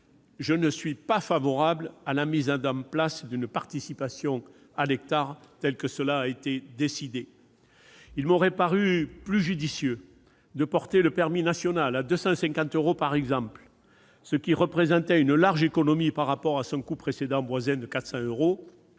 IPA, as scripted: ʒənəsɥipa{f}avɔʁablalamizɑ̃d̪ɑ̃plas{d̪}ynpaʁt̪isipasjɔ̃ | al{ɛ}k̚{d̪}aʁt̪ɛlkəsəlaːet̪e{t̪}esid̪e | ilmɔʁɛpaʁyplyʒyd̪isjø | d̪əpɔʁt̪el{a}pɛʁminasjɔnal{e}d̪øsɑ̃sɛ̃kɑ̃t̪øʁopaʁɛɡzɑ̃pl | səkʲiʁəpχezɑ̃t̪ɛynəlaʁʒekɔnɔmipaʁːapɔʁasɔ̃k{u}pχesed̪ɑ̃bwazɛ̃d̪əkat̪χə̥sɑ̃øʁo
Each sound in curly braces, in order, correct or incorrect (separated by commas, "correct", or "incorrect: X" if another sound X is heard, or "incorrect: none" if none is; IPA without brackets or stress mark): correct, correct, correct, incorrect: t̪, incorrect: d̪, incorrect: ə, incorrect: a, correct